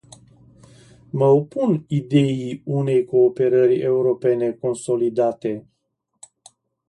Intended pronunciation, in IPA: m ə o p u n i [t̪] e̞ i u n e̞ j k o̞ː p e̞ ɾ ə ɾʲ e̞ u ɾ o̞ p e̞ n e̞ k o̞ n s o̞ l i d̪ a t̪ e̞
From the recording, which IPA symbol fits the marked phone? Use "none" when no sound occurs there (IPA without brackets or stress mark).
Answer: d̪